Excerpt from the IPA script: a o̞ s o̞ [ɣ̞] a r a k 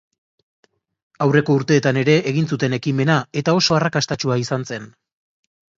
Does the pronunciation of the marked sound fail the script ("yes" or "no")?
yes